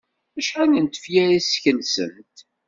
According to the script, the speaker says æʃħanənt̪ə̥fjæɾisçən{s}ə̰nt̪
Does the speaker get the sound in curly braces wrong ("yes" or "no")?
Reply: no